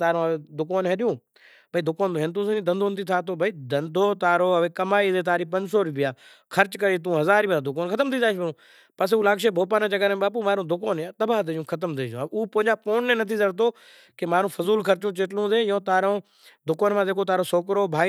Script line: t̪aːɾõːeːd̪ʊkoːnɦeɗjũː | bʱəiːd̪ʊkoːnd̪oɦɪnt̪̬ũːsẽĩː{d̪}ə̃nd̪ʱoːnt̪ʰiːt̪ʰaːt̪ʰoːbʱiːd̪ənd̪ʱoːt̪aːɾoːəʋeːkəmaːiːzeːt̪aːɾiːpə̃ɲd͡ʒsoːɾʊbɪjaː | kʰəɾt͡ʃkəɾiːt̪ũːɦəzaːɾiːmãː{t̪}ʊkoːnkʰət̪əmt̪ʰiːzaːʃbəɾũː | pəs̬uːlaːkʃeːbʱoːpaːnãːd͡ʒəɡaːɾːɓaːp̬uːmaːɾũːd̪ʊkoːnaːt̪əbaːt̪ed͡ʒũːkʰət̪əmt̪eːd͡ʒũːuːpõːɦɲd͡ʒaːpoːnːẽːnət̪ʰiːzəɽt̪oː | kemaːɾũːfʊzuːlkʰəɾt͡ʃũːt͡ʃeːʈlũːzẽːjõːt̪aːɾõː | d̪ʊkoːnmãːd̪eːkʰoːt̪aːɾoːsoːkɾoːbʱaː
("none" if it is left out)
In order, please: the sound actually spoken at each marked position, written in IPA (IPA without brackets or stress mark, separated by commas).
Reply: d̪, d̪